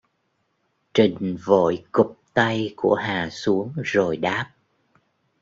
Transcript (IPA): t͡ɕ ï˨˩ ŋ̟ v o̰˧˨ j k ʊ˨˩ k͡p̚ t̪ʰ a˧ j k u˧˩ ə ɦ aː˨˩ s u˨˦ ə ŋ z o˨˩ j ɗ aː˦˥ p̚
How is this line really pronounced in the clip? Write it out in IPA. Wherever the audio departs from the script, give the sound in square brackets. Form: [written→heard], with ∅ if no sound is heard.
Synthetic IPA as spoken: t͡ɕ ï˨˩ ŋ̟ v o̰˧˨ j k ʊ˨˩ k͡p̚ [t̪ʰ→t̪] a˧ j k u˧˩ ə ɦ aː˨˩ s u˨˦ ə ŋ z o˨˩ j ɗ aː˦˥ p̚